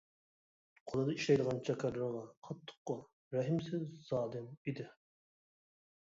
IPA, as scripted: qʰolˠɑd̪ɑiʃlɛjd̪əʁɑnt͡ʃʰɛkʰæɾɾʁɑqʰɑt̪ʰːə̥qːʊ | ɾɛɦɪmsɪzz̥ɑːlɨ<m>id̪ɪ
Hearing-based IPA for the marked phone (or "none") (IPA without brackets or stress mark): m